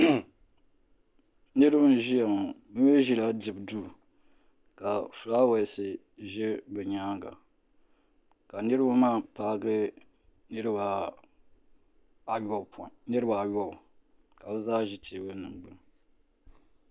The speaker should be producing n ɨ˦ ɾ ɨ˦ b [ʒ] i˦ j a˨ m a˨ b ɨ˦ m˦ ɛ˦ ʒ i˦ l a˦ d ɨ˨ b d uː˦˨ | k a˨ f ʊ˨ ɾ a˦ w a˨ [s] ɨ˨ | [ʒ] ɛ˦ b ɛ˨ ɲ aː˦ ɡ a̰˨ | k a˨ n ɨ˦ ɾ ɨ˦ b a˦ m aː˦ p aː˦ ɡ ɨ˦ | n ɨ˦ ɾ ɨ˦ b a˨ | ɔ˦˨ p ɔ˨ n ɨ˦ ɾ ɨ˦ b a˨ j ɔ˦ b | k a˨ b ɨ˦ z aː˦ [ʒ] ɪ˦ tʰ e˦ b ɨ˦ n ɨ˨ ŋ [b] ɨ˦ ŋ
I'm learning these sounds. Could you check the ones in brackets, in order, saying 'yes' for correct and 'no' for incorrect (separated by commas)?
yes, yes, yes, yes, no